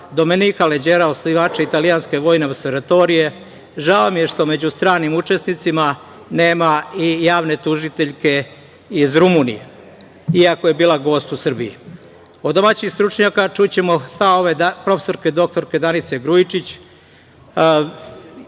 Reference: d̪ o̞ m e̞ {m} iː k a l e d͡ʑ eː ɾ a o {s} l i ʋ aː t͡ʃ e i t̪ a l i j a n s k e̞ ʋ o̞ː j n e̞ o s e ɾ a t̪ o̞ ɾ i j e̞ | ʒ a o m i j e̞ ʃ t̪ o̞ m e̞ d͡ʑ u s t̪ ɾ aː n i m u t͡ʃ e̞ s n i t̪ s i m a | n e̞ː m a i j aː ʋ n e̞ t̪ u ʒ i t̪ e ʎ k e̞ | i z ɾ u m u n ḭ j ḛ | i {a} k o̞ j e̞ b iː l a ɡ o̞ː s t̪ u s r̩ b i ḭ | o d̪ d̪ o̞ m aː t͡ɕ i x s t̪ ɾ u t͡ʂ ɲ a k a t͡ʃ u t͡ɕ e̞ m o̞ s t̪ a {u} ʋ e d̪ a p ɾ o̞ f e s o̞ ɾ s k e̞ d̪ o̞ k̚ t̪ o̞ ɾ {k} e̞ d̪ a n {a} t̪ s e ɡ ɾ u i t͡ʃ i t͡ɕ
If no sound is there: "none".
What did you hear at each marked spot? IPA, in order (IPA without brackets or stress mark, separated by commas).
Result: n, s, a, o, k, i